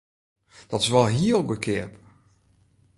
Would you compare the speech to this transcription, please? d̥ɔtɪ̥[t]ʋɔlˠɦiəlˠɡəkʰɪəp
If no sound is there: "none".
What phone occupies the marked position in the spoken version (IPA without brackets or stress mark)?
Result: s